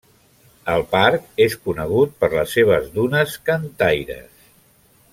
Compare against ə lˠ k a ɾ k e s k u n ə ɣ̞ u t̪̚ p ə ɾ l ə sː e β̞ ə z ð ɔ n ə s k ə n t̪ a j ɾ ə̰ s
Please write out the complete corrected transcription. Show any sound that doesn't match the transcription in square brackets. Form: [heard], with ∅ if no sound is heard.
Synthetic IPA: ə lˠ [p] a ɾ k e s k u n ə ɣ̞ u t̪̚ p ə ɾ l ə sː e β̞ ə z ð [u] n ə s k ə n t̪ a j ɾ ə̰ s